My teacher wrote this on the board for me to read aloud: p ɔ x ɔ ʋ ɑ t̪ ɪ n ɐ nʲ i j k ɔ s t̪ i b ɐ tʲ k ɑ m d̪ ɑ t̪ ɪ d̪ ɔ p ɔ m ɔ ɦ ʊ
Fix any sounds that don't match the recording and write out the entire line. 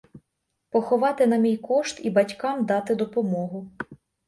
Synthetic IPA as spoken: p ɔ x ɔ ʋ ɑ t̪ ɪ n ɐ mʲ i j k ɔ ʃ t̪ i b ɐ tʲ k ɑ m d̪ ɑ t̪ ɪ d̪ ɔ p ɔ m ɔ ɦ ʊ